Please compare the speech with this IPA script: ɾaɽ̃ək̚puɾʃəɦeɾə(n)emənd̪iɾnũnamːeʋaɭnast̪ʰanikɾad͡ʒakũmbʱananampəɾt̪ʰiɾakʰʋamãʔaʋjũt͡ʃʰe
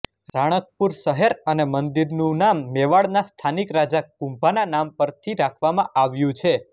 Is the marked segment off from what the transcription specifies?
no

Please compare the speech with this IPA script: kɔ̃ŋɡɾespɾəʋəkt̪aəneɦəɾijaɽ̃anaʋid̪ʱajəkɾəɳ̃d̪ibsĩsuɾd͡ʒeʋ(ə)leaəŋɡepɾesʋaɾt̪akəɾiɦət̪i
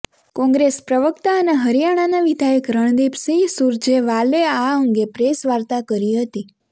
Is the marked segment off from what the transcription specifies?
yes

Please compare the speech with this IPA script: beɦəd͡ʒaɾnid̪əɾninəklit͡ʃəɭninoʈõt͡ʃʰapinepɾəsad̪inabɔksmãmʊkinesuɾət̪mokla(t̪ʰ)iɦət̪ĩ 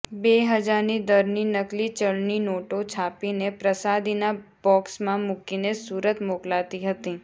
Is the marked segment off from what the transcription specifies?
yes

